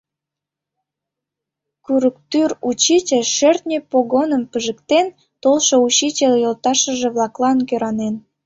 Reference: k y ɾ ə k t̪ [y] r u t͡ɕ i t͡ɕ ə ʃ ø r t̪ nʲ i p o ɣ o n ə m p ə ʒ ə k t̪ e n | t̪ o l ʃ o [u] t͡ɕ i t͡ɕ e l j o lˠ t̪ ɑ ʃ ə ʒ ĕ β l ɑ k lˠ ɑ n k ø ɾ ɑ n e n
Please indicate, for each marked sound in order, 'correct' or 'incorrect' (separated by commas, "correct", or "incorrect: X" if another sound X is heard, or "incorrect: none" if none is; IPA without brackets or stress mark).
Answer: correct, correct